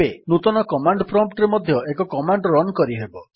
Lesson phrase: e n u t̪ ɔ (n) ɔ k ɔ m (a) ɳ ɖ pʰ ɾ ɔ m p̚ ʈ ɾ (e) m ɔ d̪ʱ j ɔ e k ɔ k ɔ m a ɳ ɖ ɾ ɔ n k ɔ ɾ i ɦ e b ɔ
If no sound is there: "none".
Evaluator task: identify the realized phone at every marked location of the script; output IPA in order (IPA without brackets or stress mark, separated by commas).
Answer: n, a, e